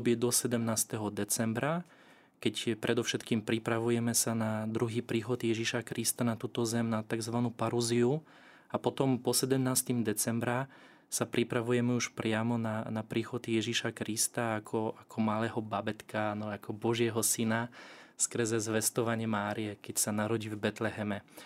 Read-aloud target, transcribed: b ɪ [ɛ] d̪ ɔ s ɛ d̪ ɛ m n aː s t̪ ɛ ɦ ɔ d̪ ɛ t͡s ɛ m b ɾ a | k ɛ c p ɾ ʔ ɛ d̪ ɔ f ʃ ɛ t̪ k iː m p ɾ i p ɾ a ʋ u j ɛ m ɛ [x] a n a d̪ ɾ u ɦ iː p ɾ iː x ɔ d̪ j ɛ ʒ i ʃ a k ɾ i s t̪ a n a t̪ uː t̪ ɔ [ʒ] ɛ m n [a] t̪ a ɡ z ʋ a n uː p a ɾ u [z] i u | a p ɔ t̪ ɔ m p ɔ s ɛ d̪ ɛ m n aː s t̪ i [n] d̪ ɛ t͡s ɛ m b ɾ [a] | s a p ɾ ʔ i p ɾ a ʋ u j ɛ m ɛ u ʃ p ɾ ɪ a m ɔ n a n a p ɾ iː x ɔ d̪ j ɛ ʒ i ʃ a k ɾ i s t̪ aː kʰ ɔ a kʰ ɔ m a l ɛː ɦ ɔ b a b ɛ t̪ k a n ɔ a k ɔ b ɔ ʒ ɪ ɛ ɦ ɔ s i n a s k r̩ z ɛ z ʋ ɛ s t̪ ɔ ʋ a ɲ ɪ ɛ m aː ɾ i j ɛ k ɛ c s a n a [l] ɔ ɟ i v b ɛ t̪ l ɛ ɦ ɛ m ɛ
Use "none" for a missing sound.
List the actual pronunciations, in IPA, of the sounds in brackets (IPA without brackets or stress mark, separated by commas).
ɛ, s, z, a, z, m, a, ɾ